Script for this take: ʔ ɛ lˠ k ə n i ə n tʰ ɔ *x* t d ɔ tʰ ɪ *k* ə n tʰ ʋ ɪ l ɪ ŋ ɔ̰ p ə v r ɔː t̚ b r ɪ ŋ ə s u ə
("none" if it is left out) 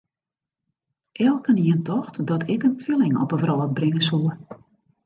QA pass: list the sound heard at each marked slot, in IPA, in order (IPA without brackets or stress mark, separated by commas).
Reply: x, k